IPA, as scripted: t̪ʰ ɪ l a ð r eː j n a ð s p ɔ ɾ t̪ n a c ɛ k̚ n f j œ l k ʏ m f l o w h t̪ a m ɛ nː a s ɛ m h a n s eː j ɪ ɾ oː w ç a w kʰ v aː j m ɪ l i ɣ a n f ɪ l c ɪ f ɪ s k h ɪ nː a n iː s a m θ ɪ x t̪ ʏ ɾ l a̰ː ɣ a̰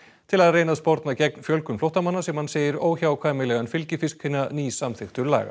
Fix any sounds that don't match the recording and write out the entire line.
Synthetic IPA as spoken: t̪ʰ ɪ l a ð r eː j n a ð s p ɔ ɾ t̪ n a c ɛ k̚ n f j œ l k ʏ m f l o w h t̪ a m a nː a s ɛ m h a n s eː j ɪ ɾ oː w ç a w kʰ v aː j m ɪ l ɛ ɣ a n f ɪ l c ɪ f ɪ s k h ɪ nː a n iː s a m θ ɪ x t̪ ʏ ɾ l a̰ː ɣ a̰